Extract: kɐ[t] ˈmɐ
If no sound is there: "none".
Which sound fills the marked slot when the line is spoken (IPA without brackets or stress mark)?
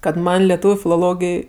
t